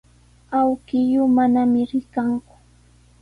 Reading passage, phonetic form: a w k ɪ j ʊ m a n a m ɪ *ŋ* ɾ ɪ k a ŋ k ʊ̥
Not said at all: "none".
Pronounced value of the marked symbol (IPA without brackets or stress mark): none